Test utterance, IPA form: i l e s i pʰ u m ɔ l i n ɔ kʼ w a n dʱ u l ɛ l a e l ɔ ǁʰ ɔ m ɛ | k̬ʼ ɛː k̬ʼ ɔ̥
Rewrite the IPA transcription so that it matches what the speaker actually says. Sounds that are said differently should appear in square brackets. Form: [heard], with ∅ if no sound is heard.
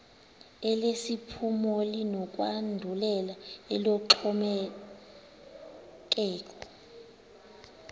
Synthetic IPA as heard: [ɛ] l e s i pʰ u m ɔ l i n ɔ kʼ w a n dʱ u l ɛ l a [ɛ] l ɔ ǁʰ ɔ m ɛ | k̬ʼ ɛː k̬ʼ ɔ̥